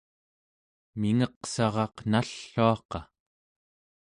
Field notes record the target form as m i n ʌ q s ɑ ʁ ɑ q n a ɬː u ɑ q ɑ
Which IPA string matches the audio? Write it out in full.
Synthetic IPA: m i ŋ ʌ q s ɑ ʁ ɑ q n a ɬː u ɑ q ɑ